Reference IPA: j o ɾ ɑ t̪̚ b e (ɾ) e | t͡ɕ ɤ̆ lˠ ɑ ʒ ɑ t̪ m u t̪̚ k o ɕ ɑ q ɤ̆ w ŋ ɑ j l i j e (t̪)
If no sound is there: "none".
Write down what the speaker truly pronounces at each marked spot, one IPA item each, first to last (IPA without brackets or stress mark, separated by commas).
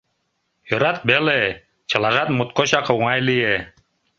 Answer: l, none